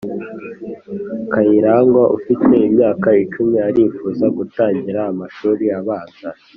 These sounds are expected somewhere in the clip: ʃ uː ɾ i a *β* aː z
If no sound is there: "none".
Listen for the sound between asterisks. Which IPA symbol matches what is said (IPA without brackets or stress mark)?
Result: β